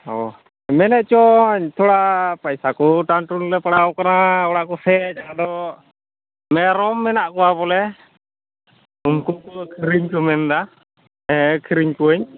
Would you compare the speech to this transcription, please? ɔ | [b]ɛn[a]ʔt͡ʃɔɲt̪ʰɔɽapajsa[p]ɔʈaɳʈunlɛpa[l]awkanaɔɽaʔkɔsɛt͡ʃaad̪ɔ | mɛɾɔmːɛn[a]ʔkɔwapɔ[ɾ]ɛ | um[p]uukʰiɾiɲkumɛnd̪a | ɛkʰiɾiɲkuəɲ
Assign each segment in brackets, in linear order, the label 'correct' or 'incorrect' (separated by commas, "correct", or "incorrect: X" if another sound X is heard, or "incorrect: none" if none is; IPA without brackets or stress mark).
incorrect: m, incorrect: ɛ, incorrect: k, incorrect: ɽ, correct, incorrect: l, incorrect: k